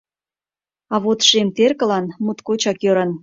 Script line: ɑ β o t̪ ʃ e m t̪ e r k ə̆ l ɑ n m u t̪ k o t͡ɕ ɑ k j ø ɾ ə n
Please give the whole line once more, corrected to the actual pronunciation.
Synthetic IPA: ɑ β o t̪ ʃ e m t̪ e r k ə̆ l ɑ n m u t̪ k o t͡ɕ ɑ k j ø ɾ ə n